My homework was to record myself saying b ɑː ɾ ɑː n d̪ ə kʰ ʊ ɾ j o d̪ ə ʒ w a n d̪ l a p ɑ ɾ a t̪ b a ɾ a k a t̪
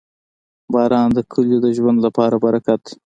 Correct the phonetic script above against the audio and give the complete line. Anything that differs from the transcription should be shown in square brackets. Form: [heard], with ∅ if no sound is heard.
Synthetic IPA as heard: b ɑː ɾ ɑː n d̪ ə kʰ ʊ [l] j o d̪ ə ʒ w a n d̪ l a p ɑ ɾ a [∅] b a ɾ a k a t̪